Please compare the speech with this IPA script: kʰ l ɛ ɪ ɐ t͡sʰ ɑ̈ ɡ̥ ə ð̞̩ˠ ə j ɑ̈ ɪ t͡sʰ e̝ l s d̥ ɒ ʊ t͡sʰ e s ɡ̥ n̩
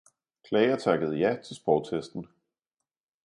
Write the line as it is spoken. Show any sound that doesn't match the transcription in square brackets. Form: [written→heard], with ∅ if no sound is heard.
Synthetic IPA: kʰ l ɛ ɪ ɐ t͡sʰ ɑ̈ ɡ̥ ə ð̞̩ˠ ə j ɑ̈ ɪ t͡sʰ e̝ l s [d̥→b̥] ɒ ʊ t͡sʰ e s [ɡ̥→d̥] n̩